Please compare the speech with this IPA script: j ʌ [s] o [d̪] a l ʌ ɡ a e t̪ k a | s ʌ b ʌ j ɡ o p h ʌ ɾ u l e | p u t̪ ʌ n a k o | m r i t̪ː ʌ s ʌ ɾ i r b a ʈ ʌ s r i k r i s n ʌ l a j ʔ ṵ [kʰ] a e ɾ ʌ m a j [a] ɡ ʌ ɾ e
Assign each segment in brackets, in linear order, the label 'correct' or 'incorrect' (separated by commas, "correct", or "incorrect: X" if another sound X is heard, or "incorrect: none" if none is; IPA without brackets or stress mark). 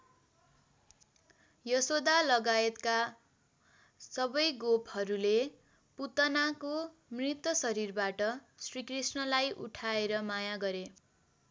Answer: correct, correct, incorrect: ʈʰ, correct